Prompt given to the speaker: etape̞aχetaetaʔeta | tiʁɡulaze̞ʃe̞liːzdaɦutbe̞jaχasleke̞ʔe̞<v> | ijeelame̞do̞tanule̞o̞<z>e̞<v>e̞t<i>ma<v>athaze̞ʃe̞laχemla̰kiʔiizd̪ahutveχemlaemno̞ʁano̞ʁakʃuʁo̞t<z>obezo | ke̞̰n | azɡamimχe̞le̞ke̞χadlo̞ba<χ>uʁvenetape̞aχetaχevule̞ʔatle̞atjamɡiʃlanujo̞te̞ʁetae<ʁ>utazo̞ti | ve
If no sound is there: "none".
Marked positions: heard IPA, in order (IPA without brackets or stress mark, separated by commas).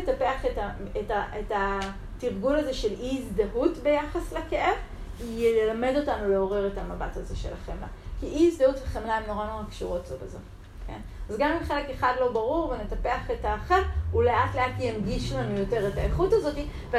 v, ʁ, ʁ, a, b, z, ʁ, χ